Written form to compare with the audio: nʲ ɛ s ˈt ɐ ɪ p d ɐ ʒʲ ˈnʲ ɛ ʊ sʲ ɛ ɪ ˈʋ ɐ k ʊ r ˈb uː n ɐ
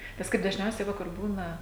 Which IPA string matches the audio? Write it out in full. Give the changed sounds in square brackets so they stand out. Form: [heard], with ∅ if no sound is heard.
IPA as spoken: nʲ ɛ s [ˈk] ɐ ɪ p d ɐ ʒʲ ˈnʲ ɛ ʊ sʲ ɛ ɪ ˈʋ ɐ k ʊ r ˈb uː n ɐ